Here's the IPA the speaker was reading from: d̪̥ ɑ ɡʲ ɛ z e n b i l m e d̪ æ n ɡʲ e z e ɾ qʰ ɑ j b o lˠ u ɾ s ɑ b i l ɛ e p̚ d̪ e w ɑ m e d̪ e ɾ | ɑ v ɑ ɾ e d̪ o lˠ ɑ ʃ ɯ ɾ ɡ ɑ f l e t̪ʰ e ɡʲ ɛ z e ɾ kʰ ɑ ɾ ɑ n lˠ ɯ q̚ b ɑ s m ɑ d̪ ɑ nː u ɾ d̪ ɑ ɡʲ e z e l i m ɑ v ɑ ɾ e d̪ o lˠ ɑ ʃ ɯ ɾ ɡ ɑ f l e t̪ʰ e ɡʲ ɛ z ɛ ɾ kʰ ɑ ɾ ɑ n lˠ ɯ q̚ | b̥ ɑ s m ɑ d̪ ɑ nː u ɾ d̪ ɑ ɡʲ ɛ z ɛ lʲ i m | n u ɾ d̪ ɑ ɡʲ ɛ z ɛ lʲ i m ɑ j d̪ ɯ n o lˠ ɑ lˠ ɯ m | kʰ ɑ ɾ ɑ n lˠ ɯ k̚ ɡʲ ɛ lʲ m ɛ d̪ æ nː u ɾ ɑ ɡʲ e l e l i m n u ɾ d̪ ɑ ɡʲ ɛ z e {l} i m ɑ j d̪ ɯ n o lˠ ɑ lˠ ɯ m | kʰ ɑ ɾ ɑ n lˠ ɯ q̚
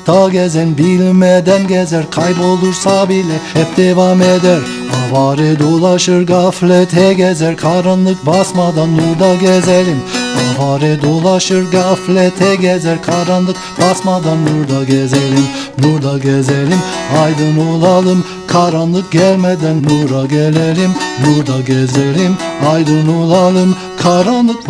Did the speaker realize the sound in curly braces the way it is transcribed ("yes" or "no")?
yes